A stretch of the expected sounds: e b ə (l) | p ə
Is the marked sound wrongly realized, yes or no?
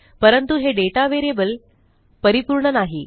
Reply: no